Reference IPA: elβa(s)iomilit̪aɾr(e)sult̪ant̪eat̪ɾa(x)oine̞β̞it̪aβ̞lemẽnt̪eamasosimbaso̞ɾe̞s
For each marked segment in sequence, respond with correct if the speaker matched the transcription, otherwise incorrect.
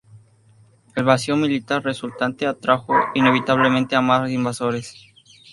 correct, correct, correct

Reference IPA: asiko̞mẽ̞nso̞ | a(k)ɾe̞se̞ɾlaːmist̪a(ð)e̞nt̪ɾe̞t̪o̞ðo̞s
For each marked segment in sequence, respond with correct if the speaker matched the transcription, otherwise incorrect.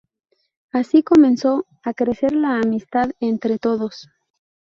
correct, correct

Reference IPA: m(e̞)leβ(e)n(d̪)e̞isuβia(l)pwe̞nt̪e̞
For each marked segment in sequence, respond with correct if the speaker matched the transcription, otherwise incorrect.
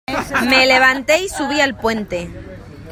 correct, incorrect, incorrect, correct

